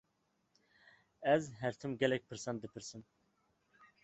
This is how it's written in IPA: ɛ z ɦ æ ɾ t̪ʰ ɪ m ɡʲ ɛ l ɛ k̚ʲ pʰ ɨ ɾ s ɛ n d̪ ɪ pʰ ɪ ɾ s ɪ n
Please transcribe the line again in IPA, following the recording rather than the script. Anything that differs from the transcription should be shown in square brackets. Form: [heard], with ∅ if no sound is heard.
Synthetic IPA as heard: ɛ z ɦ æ ɾ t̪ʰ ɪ m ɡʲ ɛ l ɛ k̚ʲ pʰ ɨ ɾ s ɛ n d̪ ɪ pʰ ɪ ɾ s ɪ n